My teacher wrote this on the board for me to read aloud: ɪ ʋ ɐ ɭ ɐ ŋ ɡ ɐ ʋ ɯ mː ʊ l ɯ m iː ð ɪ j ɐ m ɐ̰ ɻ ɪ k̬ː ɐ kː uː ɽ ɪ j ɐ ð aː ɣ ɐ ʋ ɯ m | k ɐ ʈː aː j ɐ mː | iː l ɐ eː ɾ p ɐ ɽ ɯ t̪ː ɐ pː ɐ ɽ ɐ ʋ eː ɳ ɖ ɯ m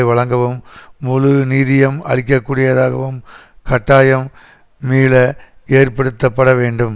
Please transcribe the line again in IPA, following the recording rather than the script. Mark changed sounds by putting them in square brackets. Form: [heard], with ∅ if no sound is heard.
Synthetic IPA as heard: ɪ ʋ ɐ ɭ ɐ ŋ ɡ ɐ ʋ ɯ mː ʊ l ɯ [n] iː ð ɪ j ɐ m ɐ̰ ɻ ɪ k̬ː ɐ kː uː ɽ ɪ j ɐ ð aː ɣ ɐ ʋ ɯ m | k ɐ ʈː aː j ɐ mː | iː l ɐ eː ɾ p ɐ ɽ ɯ t̪ː ɐ pː ɐ ɽ ɐ ʋ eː ɳ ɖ ɯ m